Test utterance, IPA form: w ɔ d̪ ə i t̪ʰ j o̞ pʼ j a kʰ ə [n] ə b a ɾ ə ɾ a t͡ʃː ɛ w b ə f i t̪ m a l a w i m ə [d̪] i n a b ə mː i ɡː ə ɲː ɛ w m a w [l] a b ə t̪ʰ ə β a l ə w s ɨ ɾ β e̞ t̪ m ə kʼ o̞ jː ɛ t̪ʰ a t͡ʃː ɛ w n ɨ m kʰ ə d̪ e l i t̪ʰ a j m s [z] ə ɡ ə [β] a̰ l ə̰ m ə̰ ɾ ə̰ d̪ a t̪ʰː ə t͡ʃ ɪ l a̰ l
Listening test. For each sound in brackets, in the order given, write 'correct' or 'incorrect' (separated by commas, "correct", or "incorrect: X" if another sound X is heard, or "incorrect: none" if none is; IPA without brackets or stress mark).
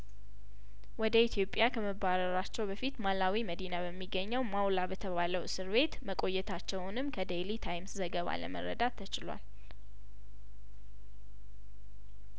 incorrect: m, correct, correct, correct, correct